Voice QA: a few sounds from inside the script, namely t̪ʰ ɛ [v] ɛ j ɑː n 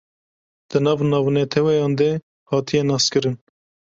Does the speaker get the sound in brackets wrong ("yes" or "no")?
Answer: yes